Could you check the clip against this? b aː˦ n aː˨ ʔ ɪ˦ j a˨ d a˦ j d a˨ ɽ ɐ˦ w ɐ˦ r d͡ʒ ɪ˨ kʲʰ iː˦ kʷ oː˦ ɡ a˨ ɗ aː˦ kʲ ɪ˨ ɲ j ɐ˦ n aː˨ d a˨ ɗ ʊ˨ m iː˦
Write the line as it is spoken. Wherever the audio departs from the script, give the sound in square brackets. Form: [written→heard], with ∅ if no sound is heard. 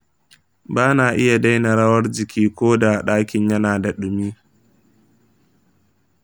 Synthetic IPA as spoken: b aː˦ n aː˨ ʔ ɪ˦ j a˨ d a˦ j [d→n] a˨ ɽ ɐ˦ w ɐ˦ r d͡ʒ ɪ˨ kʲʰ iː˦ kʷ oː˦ [ɡ→d] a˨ ɗ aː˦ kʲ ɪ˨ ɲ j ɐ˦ n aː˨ d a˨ ɗ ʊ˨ m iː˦